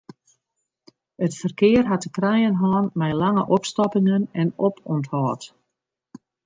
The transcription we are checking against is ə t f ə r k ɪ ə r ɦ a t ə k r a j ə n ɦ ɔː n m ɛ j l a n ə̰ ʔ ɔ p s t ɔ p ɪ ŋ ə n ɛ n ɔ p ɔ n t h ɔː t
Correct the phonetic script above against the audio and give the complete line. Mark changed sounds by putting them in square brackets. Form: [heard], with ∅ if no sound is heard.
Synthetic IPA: ə t f ə r k ɪ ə r ɦ a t ə k r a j ə n ɦ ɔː n m ɛ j l a [ŋ] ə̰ ʔ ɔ p s t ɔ p ɪ ŋ ə n ɛ n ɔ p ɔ n t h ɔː t

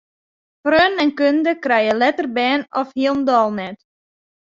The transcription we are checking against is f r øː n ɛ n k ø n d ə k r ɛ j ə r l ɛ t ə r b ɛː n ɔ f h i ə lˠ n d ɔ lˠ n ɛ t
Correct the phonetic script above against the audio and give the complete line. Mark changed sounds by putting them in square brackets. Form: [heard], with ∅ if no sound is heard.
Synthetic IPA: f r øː n ɛ n k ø n d ə k r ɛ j ə [∅] l ɛ t ə r b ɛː n ɔ f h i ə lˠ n d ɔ lˠ n ɛ t

